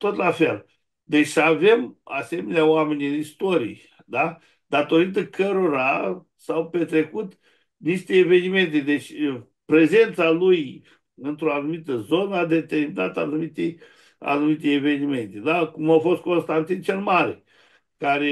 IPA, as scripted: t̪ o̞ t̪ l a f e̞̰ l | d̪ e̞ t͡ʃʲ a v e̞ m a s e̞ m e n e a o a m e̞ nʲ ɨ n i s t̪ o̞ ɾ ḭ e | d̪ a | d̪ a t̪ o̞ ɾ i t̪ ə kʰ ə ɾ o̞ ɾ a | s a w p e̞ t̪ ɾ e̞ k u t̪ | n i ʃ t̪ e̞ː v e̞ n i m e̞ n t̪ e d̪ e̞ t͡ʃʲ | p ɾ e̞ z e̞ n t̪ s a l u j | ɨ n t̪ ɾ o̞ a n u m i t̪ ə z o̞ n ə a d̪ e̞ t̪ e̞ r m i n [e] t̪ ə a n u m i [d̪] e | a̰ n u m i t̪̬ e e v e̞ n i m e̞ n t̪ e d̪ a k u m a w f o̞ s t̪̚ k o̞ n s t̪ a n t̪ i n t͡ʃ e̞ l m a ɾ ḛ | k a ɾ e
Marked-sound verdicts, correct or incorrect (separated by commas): incorrect, incorrect